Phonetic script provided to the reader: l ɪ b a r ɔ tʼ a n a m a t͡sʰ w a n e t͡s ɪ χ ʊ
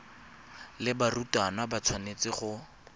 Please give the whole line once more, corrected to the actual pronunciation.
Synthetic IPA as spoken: l ɪ b a r u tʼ a n a b a t͡sʰ w a n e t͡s ɪ χ ʊ